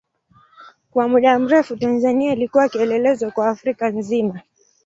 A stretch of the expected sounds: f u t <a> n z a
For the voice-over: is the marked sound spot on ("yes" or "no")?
yes